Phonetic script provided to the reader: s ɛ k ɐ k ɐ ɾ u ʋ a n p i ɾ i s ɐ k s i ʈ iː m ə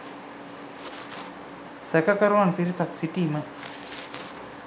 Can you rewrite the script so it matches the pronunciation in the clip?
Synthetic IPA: s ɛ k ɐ k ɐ ɾ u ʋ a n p i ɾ i s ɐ k s i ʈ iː m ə